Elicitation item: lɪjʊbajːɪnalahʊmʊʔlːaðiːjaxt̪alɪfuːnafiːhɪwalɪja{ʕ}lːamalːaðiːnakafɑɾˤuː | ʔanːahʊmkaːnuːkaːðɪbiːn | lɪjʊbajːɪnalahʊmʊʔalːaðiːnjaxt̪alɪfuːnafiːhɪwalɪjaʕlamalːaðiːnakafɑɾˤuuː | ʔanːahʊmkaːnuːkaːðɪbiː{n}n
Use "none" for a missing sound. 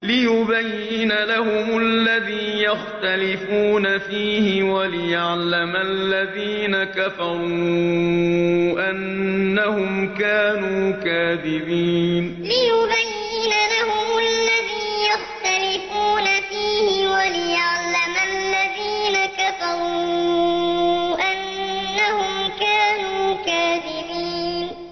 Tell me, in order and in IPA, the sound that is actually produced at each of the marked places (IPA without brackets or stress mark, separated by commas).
ʕ, n